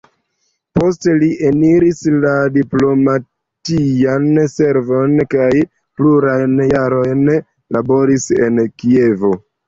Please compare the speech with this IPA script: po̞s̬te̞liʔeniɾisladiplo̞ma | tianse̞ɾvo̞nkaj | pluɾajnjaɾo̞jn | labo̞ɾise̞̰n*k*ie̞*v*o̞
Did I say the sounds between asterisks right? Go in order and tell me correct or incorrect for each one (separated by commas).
correct, correct